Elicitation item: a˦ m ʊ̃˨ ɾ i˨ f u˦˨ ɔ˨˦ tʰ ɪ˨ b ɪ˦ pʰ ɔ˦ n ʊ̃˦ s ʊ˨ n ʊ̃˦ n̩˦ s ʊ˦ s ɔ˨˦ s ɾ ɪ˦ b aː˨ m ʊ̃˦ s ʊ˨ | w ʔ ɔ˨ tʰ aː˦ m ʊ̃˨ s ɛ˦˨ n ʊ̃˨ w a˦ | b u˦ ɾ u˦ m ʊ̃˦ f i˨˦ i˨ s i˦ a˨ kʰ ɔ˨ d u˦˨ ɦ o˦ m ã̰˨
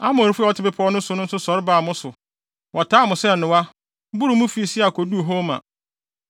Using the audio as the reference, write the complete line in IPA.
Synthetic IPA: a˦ m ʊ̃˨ ɾ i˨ f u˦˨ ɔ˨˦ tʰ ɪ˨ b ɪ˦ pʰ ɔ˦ n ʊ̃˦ s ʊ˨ n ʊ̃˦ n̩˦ s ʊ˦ s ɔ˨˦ ɾ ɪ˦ b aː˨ m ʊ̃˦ s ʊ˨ | w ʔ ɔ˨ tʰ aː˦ m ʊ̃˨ s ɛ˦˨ n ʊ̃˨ w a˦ | b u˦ ɾ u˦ m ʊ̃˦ f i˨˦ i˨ s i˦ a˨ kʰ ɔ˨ d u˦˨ ɦ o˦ m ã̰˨